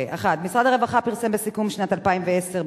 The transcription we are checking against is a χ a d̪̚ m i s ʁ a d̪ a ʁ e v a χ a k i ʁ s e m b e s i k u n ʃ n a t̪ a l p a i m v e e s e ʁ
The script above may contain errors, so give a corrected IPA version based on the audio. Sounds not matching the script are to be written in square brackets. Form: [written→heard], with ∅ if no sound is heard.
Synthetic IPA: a χ a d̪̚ m i s ʁ a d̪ a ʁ e v a χ a [k→p] i ʁ s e m b e s i k u [n→m] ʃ n a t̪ a l p a i m v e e s e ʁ